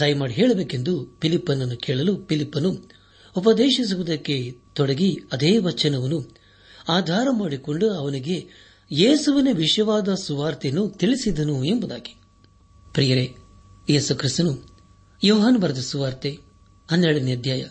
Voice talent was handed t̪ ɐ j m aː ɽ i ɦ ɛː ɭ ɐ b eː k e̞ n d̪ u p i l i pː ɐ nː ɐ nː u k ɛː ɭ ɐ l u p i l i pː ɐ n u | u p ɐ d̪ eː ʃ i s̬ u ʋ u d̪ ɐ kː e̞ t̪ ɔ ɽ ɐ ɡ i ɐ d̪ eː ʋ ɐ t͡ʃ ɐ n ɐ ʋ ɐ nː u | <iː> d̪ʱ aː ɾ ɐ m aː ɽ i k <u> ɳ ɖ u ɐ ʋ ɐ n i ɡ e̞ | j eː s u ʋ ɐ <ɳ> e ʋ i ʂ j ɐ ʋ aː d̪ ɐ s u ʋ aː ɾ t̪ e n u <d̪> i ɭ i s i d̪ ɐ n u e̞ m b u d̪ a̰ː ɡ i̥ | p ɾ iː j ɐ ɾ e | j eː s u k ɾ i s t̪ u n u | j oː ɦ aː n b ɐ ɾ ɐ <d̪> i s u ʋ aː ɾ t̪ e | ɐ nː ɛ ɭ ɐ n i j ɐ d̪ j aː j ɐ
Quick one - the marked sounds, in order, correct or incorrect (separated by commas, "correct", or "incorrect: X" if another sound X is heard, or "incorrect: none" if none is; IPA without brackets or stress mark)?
incorrect: aː, incorrect: o, incorrect: n, incorrect: t̪, correct